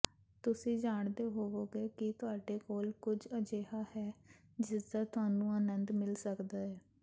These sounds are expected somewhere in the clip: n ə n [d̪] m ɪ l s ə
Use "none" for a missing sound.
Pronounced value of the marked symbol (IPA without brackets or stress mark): d̪